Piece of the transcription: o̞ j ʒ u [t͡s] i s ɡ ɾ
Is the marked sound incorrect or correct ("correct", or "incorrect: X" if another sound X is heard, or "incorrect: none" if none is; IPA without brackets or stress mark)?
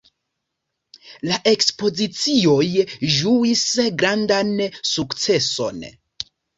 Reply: incorrect: none